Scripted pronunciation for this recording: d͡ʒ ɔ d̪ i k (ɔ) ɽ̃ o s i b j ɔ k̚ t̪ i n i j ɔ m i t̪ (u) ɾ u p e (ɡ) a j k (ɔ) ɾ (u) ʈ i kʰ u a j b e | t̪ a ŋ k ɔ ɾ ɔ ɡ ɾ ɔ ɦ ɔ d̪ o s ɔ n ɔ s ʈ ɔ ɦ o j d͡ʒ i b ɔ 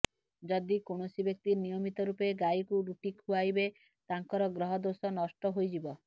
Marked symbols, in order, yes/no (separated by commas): no, no, yes, no, yes